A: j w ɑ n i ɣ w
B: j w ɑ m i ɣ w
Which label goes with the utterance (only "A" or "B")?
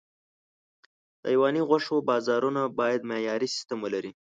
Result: A